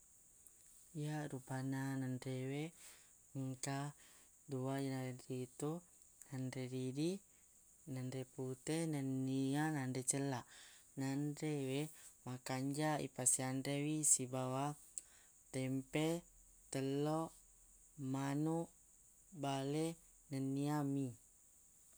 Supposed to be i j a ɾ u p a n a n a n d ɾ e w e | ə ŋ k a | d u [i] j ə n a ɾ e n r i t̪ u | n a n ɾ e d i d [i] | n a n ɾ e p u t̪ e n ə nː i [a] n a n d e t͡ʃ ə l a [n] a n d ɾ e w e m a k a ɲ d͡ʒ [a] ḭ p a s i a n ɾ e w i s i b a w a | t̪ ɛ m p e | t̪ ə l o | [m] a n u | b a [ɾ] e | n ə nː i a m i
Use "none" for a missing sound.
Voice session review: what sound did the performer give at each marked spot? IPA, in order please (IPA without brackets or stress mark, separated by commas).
a, i, a, n, a, m, l